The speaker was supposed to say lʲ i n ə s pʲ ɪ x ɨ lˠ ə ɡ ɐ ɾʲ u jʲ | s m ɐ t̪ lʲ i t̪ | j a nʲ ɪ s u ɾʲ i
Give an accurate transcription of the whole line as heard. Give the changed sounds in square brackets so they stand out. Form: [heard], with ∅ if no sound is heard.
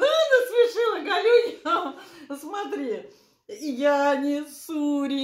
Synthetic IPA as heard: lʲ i n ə s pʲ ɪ [ʂ] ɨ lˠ ə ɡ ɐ [lʲ] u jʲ | s m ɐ t̪ [ɾʲ] i [∅] | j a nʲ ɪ s u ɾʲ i